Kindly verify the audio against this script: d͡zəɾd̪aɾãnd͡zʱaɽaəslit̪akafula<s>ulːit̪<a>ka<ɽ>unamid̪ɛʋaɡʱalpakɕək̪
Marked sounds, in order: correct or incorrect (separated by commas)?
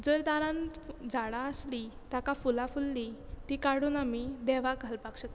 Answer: incorrect, incorrect, correct